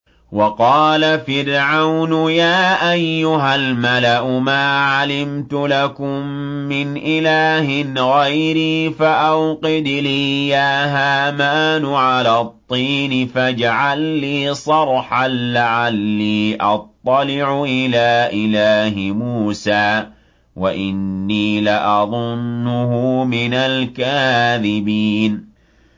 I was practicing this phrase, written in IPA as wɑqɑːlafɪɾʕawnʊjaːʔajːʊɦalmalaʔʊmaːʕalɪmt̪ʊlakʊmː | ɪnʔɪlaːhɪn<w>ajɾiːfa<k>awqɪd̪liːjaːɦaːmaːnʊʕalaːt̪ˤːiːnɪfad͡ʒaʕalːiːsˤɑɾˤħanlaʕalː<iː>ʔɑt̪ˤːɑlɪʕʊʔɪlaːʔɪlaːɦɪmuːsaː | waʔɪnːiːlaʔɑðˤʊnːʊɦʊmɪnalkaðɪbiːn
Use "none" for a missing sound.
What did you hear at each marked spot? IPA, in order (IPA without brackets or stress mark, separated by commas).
ɣ, ʔ, iː